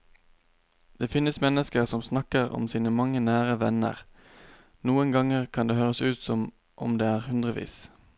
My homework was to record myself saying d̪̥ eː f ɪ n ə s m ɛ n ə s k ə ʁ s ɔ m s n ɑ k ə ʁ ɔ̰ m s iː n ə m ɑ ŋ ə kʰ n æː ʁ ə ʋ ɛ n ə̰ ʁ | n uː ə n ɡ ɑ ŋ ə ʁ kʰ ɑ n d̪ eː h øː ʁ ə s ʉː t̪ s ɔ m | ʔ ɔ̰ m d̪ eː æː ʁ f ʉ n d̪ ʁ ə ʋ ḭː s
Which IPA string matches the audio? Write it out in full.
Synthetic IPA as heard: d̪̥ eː f ɪ n ə s m ɛ n ə s k ə ʁ s ɔ m s n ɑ k ə ʁ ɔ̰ m s iː n ə m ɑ ŋ ə n æː ʁ ə ʋ ɛ n ə̰ ʁ | n uː ə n ɡ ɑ ŋ ə ʁ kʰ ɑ n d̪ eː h øː ʁ ə s ʉː t̪ s ɔ m | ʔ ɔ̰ m d̪ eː æː ʁ h ʉ n d̪ ʁ ə ʋ ḭː s